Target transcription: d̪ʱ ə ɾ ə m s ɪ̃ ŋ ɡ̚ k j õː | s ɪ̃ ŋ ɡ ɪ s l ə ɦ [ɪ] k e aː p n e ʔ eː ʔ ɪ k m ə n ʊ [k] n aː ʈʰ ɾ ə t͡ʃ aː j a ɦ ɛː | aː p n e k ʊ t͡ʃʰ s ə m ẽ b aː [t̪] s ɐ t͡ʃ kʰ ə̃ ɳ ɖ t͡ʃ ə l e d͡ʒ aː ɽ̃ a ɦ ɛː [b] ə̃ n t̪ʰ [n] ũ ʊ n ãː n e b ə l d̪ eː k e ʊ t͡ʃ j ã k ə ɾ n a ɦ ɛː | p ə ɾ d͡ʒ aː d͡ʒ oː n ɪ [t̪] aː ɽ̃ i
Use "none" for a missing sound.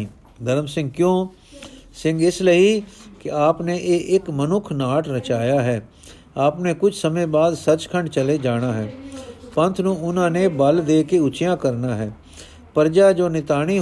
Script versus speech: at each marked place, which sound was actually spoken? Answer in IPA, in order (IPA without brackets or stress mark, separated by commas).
i, kʰ, d̪, p, n, t̪